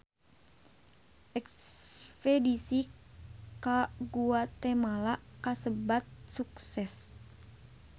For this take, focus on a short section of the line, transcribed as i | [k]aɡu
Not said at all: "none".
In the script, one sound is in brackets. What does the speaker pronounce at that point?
k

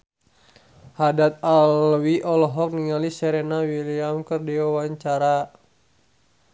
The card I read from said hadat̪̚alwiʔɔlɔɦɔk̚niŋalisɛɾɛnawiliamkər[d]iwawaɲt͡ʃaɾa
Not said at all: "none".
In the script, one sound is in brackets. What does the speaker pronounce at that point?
d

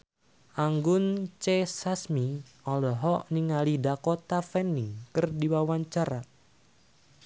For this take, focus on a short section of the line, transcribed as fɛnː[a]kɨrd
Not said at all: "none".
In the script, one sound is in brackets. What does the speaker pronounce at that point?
i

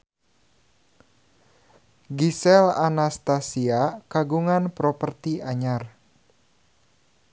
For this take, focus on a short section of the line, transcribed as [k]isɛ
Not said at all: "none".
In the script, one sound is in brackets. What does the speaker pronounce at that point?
ɡ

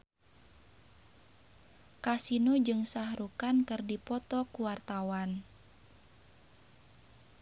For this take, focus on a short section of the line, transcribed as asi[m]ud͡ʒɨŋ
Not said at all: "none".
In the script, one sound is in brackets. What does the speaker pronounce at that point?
n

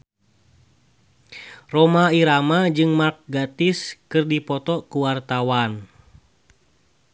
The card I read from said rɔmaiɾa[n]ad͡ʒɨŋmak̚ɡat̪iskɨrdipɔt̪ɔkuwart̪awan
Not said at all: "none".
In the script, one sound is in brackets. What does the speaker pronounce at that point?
m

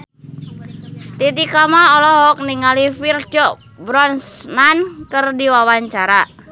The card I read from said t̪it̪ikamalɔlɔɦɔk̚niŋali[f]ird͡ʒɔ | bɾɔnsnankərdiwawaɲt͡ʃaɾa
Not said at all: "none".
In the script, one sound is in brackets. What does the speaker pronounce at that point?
f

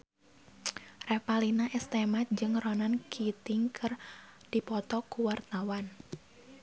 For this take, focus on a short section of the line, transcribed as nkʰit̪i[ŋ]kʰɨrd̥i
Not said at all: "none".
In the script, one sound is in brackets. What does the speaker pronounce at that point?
ŋ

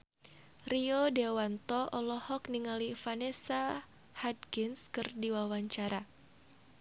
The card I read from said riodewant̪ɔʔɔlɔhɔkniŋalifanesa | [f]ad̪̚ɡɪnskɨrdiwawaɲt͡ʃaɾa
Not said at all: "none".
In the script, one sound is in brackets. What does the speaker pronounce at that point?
h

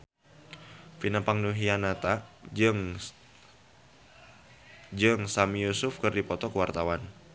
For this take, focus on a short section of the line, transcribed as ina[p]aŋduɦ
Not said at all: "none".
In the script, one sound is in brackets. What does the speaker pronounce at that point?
p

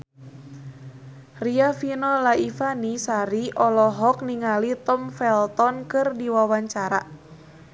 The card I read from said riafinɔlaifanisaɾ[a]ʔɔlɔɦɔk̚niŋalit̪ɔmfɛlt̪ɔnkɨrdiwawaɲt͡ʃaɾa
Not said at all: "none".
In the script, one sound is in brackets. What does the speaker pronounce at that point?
i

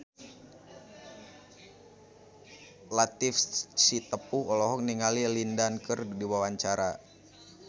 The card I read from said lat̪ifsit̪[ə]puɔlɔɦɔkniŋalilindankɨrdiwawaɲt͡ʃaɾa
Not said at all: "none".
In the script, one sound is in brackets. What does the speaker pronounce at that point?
ə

